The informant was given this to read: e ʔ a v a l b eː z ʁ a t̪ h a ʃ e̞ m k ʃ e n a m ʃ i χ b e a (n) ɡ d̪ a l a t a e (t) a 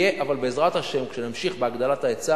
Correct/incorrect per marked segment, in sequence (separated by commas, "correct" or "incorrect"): incorrect, incorrect